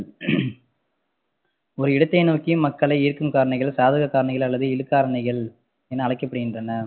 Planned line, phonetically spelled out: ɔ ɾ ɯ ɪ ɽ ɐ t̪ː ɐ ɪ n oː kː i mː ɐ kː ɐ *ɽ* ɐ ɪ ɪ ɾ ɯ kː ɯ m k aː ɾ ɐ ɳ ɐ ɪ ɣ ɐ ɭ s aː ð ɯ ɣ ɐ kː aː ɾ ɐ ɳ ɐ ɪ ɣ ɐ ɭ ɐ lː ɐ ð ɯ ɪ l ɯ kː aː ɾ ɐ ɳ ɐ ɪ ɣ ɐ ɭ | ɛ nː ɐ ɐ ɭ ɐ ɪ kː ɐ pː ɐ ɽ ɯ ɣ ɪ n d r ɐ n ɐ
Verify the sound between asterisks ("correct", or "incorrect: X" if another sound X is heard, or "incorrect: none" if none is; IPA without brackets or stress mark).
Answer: incorrect: ɭ